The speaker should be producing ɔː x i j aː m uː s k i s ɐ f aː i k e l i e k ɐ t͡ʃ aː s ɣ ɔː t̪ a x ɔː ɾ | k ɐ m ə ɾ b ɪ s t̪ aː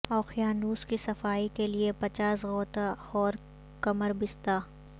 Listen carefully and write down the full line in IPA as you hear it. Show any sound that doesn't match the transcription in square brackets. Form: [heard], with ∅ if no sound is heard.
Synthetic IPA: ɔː x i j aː [n] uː s k i s ɐ f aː i k e l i e [p] ɐ t͡ʃ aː s ɣ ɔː t̪ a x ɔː ɾ | k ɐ m ə ɾ b ɪ s t̪ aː